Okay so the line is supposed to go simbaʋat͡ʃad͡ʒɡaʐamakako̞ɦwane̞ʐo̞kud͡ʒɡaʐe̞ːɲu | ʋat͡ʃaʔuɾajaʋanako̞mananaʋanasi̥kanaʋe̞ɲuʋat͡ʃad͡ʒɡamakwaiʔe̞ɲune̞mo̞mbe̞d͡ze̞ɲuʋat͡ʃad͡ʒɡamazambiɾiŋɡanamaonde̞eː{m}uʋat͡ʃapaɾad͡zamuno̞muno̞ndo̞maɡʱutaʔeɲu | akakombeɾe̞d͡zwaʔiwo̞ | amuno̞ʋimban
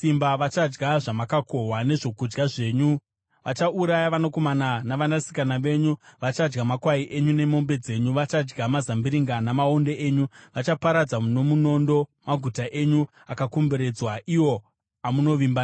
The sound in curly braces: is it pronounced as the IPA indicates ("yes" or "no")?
no